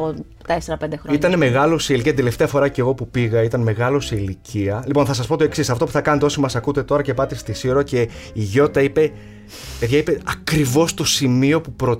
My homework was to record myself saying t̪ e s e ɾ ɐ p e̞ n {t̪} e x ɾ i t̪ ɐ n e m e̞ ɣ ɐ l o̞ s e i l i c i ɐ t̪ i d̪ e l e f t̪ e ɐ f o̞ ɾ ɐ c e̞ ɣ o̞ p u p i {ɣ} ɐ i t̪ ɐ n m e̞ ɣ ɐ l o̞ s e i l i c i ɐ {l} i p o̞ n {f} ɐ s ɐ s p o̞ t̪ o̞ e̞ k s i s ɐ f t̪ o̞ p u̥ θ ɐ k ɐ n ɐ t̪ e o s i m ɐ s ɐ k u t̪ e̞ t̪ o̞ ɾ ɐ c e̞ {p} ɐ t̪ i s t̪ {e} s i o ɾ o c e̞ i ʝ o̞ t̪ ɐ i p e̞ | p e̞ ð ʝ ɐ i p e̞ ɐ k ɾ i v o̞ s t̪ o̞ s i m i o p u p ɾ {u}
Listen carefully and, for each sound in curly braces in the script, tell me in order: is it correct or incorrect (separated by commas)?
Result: incorrect, correct, correct, incorrect, correct, incorrect, incorrect